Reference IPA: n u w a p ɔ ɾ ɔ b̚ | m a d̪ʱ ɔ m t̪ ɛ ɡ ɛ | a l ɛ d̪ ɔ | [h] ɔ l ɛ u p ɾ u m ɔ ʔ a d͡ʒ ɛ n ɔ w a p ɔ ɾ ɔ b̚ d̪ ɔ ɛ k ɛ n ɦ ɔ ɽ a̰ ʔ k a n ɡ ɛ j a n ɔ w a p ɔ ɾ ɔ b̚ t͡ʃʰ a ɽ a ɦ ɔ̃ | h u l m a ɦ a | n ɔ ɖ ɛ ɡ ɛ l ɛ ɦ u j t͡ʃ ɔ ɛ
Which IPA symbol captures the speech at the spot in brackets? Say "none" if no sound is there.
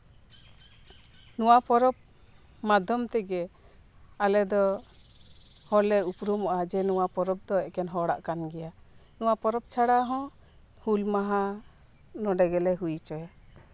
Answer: h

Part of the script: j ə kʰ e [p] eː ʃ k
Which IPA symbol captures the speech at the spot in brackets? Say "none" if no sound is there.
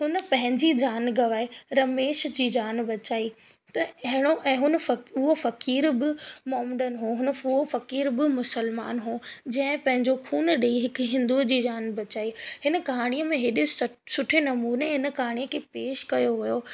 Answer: p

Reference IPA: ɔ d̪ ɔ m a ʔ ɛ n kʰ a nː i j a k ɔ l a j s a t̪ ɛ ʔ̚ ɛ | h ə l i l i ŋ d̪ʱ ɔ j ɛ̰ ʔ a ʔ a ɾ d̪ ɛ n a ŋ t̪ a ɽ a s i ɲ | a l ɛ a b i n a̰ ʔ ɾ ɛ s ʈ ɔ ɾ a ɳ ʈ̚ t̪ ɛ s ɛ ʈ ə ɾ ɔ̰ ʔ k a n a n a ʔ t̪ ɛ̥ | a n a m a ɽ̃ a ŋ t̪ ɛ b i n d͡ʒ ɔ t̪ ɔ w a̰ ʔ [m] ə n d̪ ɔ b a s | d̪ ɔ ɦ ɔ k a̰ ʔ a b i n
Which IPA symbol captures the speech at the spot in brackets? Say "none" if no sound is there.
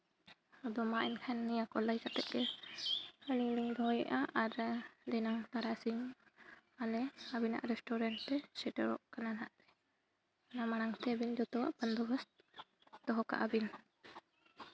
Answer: b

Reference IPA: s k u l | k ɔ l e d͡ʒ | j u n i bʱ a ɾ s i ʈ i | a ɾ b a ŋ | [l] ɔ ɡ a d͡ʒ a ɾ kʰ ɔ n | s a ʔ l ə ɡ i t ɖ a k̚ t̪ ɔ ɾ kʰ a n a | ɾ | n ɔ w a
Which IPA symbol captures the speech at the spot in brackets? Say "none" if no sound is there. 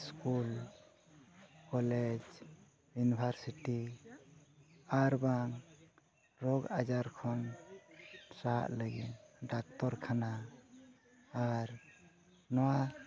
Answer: ɾ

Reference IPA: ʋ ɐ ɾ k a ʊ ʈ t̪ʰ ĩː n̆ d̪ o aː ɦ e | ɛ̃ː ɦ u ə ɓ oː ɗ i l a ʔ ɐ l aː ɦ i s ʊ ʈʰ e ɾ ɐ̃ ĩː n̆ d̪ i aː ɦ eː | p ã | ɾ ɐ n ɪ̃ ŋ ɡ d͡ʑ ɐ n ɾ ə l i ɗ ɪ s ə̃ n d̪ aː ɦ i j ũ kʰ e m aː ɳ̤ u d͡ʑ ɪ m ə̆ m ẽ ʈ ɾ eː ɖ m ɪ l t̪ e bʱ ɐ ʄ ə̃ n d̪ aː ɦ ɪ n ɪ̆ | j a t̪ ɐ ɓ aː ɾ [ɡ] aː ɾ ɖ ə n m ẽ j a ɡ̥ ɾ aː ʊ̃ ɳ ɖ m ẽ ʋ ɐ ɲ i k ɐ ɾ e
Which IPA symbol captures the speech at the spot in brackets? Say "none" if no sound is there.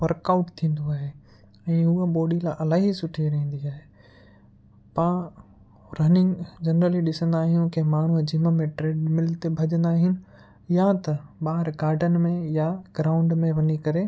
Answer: ɡ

